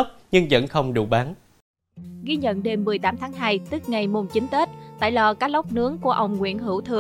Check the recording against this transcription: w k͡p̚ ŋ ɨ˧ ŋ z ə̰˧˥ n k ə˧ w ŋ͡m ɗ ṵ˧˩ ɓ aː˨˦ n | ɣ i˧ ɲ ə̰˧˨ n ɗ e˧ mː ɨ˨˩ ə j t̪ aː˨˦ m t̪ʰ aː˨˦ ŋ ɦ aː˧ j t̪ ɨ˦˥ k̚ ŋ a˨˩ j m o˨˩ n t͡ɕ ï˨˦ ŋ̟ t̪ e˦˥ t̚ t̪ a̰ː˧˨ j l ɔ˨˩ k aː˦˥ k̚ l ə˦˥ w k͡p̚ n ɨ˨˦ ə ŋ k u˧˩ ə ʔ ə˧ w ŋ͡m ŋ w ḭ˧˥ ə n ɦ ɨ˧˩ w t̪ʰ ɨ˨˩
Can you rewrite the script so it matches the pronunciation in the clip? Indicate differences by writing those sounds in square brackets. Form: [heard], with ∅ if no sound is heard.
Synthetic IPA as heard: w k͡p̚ [ɲ] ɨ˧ ŋ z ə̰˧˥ n [x] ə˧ w ŋ͡m ɗ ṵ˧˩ ɓ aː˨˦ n | ɣ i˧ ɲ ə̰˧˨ n ɗ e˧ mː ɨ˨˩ ə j t̪ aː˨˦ m t̪ʰ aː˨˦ ŋ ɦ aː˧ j t̪ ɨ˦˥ k̚ ŋ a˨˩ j m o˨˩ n t͡ɕ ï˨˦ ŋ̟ t̪ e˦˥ t̚ t̪ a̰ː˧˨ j l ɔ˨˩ k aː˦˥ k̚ l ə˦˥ w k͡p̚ n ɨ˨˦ ə ŋ k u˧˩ ə ʔ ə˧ w ŋ͡m ŋ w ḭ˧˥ ə n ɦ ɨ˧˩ w t̪ʰ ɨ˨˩